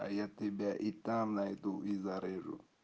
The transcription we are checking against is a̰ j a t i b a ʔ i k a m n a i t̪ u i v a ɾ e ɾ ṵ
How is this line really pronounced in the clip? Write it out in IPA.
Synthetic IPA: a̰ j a t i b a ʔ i t a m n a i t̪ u i z a ɾ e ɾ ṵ